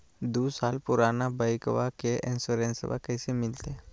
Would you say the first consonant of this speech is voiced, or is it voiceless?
voiced